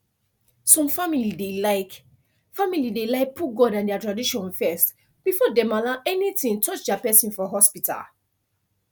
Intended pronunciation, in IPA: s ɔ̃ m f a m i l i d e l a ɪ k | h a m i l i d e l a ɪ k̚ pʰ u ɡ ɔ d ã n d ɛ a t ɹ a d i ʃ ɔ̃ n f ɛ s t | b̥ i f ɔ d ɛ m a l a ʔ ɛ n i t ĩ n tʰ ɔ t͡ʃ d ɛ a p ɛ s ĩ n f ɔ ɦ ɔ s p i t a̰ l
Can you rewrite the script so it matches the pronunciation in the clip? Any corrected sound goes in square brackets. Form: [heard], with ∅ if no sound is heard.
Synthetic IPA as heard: s ɔ̃ m f a m i l i d e l a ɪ k | [f] a m i l i d e l a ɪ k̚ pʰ u ɡ ɔ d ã n d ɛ a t ɹ a d i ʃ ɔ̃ n f ɛ s t | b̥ i f ɔ d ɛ m a l a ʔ ɛ n i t ĩ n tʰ ɔ t͡ʃ d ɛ a p ɛ s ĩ n f ɔ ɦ ɔ s p i t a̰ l